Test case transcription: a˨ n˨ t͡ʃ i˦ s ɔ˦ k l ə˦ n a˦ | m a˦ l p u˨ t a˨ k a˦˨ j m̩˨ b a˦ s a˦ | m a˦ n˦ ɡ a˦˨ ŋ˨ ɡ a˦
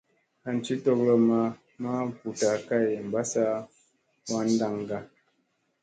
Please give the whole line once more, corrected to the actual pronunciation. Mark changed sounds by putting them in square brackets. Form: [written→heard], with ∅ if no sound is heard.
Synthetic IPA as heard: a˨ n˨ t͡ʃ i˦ [s→t] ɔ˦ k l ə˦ [n→m] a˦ | m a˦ [l→∅] p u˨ t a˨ k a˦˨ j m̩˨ b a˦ s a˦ | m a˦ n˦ [ɡ→d] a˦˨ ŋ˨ ɡ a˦